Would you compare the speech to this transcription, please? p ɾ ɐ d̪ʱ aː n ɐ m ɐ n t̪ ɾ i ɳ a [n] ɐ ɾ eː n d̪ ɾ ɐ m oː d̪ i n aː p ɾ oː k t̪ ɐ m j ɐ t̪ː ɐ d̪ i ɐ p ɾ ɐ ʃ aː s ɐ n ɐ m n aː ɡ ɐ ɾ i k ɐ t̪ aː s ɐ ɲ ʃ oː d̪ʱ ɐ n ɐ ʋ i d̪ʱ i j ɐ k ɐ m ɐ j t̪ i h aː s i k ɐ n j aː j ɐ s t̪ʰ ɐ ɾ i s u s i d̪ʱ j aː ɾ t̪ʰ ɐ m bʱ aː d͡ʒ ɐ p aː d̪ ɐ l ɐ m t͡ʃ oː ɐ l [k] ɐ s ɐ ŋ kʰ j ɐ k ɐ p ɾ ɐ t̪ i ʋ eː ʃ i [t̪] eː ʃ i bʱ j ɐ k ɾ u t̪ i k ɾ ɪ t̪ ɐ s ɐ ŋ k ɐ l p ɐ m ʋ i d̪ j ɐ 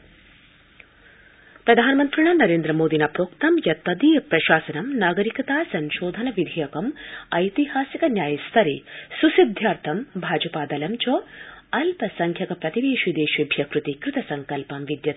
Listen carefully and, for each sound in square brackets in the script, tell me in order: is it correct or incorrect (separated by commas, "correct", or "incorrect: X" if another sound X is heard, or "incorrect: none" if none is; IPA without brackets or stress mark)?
correct, incorrect: p, incorrect: d̪